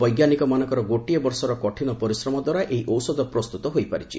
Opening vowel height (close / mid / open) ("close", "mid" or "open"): mid